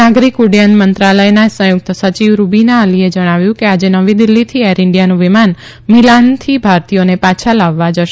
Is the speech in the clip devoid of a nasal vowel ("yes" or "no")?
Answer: no